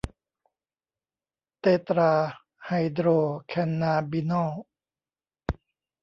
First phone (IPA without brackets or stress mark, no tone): t̪